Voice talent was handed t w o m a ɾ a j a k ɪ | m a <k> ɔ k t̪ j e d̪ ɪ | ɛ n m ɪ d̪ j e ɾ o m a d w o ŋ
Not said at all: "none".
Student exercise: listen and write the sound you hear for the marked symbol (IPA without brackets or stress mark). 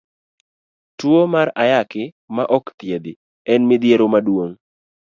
ʔ